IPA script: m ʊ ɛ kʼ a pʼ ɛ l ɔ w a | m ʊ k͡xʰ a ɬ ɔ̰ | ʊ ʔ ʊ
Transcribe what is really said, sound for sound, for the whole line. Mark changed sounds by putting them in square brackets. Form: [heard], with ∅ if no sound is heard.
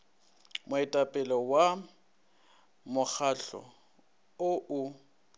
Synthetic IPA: m ʊ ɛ [tʼ] a pʼ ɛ l ɔ w a | m ʊ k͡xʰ a ɬ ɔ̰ | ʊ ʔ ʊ